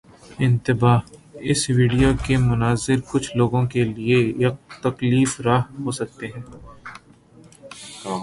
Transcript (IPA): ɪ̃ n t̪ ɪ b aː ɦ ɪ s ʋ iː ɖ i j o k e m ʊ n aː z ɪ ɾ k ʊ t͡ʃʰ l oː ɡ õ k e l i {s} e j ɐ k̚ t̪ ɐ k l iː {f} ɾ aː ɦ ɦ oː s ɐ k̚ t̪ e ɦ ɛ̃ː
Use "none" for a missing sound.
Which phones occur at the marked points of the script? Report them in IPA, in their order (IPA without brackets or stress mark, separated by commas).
none, f